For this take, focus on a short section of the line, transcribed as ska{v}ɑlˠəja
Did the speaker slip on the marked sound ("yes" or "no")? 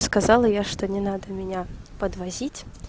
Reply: yes